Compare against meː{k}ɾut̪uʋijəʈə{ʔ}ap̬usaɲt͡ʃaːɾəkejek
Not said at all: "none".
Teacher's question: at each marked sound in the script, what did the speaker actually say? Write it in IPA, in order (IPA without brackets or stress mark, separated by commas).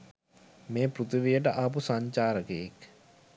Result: p, ʔ